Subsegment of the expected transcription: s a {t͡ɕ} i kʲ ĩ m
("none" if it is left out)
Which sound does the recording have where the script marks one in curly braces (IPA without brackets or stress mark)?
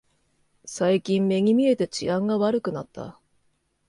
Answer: none